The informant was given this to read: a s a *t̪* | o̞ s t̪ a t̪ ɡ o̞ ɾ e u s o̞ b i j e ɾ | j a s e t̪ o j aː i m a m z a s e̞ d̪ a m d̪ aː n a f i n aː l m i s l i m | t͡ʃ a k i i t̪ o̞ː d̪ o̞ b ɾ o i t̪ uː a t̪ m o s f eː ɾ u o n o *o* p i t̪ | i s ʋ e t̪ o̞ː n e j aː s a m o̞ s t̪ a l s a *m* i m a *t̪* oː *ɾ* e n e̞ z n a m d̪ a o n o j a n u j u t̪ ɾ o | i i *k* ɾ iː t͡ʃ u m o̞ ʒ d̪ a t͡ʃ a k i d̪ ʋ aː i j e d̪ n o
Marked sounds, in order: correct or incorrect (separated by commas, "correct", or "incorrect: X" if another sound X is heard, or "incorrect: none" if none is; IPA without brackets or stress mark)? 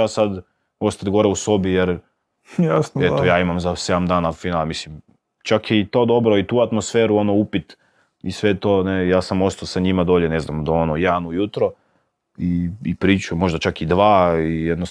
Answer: incorrect: d̪, incorrect: u, incorrect: ɲ, incorrect: d̪, incorrect: ʎ, incorrect: p